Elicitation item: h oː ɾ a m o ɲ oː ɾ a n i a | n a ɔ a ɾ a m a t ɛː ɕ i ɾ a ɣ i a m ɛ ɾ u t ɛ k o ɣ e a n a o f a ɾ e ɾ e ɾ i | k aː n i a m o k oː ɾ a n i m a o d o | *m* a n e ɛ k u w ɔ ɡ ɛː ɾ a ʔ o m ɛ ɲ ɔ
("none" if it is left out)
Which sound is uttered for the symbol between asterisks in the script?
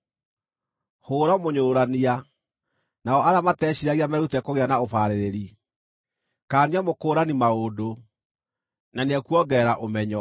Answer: n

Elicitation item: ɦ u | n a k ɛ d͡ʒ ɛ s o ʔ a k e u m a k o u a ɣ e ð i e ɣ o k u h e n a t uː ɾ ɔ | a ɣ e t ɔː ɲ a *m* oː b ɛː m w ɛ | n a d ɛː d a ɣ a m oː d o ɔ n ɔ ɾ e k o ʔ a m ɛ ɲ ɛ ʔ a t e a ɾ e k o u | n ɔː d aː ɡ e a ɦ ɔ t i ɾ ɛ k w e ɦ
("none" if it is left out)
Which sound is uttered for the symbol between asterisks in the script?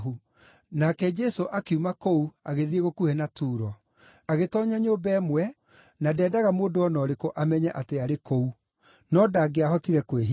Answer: ɲ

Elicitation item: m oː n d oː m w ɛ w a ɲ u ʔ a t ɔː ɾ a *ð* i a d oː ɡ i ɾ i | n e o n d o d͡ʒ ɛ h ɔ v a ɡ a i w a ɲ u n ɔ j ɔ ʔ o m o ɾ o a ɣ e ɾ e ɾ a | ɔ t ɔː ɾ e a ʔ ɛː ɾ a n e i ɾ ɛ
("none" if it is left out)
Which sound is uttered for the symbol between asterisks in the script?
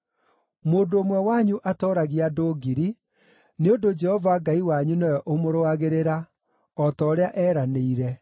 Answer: ɣ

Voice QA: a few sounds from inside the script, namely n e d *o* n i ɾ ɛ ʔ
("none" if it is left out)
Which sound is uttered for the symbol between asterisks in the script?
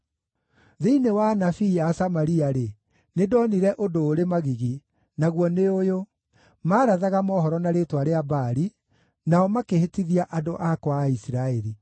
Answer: ɔ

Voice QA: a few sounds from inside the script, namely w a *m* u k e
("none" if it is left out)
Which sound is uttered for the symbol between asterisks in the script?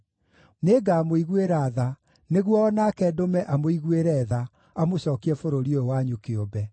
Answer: ɲ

